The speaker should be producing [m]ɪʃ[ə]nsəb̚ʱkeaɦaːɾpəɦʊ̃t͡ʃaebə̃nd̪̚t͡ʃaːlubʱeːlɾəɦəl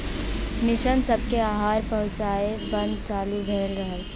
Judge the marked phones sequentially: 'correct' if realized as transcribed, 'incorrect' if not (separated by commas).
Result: correct, correct